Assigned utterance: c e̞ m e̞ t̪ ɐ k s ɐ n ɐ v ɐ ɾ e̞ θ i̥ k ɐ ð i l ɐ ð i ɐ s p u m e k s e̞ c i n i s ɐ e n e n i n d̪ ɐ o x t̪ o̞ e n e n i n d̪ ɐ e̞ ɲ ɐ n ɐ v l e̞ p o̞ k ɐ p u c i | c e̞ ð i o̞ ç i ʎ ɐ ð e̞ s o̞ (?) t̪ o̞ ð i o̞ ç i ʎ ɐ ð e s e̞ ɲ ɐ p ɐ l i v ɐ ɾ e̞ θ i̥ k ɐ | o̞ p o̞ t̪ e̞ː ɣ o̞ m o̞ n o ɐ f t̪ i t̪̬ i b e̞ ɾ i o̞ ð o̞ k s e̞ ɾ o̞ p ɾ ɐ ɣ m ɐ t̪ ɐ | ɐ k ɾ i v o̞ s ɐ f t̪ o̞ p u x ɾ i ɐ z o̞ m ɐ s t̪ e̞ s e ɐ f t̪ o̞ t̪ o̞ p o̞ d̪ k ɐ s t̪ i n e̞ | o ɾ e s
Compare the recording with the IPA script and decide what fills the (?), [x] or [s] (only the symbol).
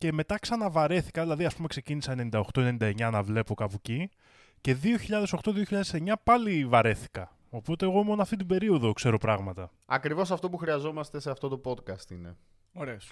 x